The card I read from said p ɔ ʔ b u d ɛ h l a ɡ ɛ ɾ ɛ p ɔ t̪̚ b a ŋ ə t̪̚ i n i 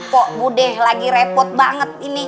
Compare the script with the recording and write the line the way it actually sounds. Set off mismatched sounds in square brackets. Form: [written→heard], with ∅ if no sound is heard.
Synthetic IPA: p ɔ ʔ b u d ɛ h l a ɡ [ɛ→i] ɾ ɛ p ɔ t̪̚ b a ŋ ə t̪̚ i n i